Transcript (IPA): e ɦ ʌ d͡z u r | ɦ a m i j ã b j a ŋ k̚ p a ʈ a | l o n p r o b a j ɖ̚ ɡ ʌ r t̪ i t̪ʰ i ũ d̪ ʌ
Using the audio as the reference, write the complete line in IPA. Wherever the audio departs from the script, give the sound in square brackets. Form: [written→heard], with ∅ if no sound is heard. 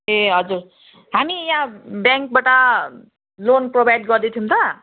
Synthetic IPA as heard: e ɦ ʌ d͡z u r | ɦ a m i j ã b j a ŋ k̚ [p→b] a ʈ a | l o n p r o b a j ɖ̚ ɡ ʌ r [t̪→d̪] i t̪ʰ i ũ [d̪→t̪] ʌ